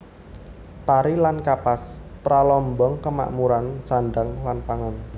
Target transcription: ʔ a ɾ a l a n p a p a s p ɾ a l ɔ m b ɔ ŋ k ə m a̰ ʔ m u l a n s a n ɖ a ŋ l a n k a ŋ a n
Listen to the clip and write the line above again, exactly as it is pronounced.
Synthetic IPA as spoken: p a ɾ i l a n k a p a s p ɾ a l ɔ m b ɔ ŋ k ə m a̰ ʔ m u ɾ a n s a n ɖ a ŋ l a n p a ŋ a n